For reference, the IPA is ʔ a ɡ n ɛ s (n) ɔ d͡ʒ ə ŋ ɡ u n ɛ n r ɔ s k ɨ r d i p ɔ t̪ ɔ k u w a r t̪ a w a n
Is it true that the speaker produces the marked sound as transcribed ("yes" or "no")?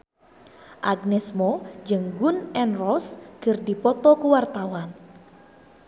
no